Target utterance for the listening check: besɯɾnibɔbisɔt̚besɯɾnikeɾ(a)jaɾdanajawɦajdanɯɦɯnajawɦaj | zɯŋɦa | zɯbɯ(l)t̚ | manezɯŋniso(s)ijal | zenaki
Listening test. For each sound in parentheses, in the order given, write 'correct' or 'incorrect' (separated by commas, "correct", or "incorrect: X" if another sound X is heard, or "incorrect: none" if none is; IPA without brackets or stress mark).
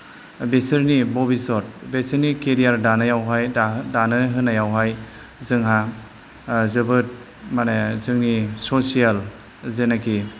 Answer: incorrect: i, incorrect: none, correct